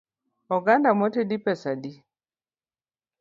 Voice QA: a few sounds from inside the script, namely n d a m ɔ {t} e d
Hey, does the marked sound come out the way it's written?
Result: yes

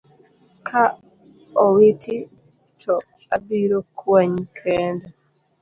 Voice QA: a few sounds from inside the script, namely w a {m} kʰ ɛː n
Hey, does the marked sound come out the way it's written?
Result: no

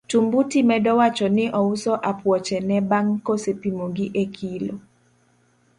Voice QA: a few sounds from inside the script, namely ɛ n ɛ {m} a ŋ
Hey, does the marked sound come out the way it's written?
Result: no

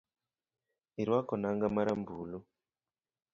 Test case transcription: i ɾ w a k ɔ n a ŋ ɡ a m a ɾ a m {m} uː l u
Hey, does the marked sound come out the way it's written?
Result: no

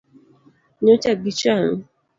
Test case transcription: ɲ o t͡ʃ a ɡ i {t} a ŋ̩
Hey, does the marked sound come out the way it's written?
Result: no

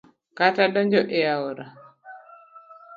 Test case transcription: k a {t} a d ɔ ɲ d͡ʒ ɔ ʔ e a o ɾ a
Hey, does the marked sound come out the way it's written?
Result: yes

